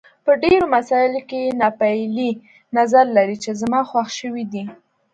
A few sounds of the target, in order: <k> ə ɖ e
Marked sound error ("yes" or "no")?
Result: yes